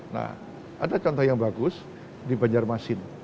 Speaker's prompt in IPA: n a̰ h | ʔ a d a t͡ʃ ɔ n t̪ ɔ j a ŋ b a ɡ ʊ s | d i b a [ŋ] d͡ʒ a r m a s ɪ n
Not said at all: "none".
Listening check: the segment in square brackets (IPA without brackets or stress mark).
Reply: ɲ